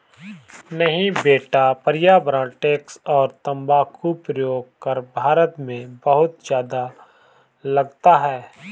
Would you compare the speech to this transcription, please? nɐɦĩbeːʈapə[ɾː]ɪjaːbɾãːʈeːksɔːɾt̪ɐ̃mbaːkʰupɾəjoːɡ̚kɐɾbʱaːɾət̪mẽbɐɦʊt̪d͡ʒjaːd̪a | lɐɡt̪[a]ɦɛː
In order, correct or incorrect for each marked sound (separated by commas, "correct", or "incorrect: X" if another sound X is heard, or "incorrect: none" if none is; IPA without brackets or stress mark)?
incorrect: ɾ, correct